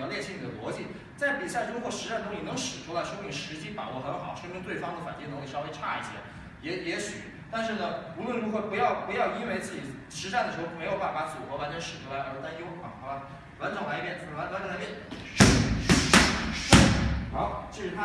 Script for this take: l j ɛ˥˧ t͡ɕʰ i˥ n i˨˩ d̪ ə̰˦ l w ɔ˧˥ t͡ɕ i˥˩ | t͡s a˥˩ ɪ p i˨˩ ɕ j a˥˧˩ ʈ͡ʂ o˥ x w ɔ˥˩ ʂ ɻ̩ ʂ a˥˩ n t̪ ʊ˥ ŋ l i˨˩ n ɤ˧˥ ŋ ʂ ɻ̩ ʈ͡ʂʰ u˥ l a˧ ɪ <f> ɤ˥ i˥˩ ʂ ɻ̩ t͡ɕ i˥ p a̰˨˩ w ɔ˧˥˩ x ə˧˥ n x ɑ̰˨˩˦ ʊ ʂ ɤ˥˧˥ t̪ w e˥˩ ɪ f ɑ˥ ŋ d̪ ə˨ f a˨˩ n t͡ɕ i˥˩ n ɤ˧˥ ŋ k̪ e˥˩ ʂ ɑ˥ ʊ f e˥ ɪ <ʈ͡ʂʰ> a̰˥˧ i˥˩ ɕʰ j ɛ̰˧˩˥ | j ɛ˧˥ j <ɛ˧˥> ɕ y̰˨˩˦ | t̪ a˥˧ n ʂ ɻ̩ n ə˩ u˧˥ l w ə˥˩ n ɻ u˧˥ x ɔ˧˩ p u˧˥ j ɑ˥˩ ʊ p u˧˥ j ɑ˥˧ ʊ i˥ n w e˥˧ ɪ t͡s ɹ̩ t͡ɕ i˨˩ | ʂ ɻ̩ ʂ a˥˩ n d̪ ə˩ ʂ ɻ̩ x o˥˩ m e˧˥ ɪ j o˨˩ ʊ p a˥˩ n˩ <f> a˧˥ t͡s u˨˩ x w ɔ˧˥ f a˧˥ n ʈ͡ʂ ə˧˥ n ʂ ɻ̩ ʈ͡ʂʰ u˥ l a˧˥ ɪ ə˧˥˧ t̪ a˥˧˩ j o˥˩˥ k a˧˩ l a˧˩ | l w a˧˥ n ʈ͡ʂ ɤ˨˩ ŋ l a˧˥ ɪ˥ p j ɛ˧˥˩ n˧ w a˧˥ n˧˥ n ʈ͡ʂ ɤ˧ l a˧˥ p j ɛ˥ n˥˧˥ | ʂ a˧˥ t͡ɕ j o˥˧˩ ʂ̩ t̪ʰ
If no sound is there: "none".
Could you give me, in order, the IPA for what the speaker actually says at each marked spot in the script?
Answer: ʂ, ʈ͡ʂʰ, ɛ˧˥, f

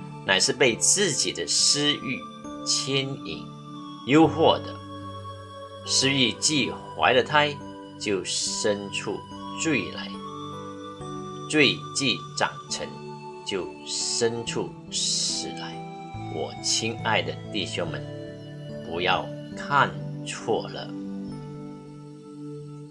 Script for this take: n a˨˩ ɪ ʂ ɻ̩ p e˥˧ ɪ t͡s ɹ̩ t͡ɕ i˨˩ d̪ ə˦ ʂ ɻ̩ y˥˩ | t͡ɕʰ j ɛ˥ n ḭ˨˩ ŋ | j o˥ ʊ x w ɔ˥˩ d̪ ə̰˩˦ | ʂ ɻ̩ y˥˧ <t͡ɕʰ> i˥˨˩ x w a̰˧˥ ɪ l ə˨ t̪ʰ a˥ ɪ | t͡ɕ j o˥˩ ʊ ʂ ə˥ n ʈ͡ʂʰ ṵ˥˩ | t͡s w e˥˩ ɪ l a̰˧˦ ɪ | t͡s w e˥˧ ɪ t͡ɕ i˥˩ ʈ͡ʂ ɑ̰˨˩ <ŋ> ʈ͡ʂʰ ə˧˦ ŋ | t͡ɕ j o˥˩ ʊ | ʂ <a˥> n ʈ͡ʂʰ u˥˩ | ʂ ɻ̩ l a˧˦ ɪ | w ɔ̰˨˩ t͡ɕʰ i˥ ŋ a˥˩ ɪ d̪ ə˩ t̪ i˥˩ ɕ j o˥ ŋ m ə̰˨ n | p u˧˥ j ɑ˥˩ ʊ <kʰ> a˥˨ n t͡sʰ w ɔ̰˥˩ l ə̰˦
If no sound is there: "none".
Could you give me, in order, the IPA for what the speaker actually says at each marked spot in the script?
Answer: t͡ɕ, ŋ, ə˥, kʰ

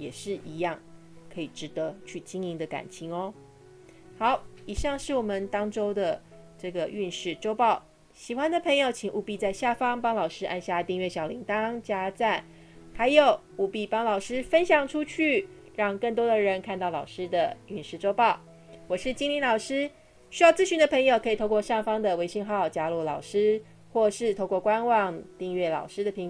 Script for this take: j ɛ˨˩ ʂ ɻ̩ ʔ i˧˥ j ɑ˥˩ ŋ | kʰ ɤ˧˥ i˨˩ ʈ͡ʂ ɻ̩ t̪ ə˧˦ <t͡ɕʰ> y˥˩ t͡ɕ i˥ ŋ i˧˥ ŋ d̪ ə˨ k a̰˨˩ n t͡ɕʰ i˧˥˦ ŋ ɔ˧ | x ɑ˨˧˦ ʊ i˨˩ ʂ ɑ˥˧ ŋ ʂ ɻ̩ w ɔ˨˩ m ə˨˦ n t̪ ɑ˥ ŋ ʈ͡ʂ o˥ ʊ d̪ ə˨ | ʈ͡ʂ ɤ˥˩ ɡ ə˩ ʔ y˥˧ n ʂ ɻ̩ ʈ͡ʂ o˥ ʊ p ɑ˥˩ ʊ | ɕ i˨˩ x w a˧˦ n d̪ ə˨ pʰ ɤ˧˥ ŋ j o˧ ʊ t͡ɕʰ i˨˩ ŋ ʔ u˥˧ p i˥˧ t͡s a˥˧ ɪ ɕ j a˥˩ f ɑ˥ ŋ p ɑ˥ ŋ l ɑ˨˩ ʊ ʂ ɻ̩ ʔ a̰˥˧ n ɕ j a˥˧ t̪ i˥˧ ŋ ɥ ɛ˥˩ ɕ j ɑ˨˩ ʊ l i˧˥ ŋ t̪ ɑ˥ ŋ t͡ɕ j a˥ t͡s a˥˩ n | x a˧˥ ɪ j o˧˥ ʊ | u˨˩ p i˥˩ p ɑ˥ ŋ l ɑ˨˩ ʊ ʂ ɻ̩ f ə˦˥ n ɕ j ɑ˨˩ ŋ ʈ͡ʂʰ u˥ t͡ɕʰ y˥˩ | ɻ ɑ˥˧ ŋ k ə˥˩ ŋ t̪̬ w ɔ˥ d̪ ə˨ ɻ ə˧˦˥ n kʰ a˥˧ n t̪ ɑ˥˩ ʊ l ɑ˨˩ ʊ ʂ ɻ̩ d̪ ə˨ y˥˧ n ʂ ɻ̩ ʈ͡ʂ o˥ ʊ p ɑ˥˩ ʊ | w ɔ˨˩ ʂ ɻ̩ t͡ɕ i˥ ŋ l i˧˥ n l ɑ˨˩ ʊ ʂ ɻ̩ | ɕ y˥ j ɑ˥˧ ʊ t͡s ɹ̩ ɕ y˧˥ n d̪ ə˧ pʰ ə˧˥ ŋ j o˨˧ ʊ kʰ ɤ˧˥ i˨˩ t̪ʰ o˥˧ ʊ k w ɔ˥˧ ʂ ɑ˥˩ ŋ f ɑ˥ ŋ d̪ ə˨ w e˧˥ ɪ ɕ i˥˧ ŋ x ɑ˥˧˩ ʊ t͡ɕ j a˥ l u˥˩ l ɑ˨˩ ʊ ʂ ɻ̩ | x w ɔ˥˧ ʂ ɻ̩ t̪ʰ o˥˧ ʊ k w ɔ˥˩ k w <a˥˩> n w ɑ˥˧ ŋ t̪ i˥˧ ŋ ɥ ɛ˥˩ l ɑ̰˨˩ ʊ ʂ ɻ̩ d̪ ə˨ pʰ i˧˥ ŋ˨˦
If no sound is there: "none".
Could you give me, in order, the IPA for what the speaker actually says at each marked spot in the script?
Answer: t͡ɕʰ, a˦

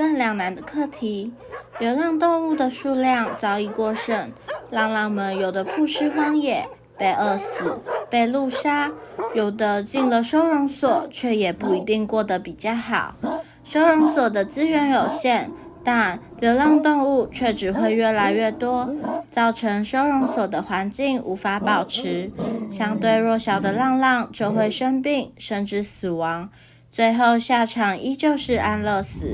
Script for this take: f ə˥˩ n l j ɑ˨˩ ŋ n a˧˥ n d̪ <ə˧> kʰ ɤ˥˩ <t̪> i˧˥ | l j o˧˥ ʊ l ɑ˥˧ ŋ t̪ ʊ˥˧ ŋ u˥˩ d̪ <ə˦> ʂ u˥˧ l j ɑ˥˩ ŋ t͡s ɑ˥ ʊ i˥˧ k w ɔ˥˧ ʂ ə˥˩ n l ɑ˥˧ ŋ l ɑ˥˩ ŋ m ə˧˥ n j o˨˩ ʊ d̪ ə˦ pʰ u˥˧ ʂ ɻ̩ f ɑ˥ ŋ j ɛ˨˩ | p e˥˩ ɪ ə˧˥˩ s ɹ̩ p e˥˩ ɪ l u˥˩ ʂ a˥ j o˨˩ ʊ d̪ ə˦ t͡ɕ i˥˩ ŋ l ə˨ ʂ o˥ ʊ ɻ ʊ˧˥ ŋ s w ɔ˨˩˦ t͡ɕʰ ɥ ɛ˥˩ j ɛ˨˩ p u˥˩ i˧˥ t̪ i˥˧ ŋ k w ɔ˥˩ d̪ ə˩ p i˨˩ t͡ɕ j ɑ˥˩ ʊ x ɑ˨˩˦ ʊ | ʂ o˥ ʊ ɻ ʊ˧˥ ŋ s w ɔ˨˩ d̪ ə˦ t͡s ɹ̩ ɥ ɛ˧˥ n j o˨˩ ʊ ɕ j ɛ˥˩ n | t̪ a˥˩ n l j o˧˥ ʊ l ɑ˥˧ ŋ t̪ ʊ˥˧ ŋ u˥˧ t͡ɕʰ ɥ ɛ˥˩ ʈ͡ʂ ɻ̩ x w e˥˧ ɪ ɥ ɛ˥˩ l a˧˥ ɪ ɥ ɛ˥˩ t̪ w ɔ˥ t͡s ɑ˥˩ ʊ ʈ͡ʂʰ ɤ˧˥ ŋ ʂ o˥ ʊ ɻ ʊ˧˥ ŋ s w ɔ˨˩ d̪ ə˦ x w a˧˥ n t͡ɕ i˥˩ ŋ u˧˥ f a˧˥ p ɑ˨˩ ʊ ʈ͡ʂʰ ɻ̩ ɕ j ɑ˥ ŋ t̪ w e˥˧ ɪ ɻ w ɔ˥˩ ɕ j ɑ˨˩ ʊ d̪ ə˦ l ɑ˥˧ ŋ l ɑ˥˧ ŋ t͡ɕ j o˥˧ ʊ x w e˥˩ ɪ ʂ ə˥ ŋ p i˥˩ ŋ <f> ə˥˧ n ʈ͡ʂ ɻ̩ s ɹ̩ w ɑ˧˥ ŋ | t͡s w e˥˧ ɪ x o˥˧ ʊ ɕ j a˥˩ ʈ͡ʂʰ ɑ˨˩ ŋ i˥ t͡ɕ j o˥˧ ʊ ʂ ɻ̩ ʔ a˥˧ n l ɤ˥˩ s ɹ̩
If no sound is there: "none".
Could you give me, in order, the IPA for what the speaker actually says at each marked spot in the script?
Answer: ə˧, t̪ʰ, ə˩, ʂ

